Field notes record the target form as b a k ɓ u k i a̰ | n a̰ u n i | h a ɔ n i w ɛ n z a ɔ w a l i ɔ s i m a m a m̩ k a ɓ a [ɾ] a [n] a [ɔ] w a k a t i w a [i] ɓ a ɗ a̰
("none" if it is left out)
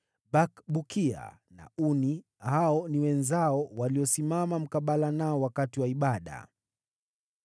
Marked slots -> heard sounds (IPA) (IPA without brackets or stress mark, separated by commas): l, n, ɔ, i